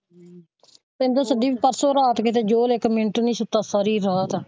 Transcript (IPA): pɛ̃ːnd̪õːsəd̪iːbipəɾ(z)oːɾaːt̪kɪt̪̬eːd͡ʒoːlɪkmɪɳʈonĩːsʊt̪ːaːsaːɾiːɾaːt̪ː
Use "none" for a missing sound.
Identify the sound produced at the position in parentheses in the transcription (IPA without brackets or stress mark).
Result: s